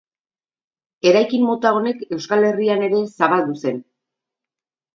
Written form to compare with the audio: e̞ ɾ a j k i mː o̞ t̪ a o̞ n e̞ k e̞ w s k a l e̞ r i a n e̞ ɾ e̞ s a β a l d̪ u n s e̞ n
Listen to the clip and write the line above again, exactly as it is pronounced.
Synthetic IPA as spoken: e̞ ɾ a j k i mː o̞ t̪ a o̞ n e̞ k e̞ w s k a l e̞ r i a n e̞ ɾ e̞ s a β a l d̪ u s e̞ n